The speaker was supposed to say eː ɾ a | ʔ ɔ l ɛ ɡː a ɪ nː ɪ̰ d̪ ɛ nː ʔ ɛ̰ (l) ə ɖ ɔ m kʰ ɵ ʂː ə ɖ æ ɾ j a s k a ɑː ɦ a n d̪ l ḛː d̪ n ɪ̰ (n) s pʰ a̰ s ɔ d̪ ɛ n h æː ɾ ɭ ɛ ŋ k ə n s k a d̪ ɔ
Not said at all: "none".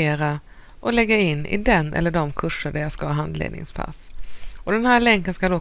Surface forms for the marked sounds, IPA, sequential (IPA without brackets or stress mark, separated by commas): lː, ŋ